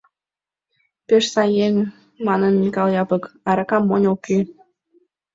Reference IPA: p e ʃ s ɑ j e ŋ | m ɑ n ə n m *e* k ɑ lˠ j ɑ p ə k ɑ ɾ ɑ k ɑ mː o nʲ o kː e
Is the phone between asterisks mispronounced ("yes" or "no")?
yes